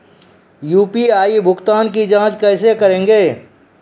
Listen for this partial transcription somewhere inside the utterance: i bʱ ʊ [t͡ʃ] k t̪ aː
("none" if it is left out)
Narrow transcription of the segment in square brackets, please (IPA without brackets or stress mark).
none